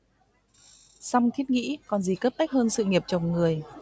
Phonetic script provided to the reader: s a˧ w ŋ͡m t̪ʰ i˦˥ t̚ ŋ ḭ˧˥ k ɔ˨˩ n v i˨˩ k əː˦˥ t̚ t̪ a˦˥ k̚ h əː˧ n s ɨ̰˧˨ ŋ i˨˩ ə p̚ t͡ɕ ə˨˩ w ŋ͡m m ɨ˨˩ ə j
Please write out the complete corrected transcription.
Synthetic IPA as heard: s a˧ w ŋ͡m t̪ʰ i˦˥ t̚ ŋ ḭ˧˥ k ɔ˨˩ n z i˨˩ k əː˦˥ p̚ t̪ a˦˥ k̚ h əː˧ n s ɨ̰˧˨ ŋ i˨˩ ə p̚ t͡ɕ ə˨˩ w ŋ͡m ŋ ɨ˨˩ ə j

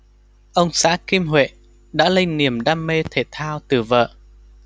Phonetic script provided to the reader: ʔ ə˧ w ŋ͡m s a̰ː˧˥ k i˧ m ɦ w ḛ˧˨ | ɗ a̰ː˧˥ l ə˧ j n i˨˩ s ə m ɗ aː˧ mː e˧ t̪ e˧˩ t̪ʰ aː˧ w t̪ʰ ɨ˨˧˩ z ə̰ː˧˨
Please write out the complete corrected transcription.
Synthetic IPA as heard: ʔ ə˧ w ŋ͡m s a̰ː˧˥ k i˧ m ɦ w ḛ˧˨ | ɗ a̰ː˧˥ l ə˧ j n i˨˩ ə m ɗ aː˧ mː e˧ t̪ʰ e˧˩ t̪ʰ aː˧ w t̪ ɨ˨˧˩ v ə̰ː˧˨

